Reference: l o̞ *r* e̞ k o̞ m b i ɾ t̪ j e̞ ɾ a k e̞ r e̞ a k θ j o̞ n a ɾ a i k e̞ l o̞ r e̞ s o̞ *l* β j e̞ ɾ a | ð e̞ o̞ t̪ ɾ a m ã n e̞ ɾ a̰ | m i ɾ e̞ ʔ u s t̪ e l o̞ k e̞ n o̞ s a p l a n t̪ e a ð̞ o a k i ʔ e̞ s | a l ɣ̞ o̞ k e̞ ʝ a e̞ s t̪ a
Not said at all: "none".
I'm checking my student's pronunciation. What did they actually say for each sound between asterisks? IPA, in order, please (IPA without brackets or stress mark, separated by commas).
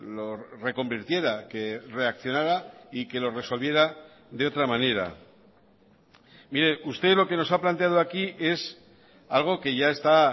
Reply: r, l